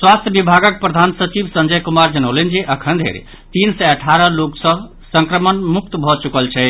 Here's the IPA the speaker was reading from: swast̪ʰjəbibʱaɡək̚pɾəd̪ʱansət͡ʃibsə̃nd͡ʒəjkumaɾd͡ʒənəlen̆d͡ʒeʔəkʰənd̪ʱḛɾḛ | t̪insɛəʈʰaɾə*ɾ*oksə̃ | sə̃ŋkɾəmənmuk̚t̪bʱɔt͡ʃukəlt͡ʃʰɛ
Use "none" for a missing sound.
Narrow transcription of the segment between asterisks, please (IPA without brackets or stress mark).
l